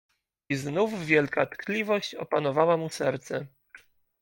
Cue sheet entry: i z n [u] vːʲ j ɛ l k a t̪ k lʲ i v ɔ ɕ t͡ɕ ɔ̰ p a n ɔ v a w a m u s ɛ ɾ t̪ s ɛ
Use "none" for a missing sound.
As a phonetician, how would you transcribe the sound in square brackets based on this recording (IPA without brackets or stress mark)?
u